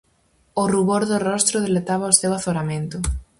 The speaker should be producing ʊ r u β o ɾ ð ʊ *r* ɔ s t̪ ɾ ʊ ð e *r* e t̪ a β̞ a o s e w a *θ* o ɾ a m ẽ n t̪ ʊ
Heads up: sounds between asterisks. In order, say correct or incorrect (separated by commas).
correct, incorrect, correct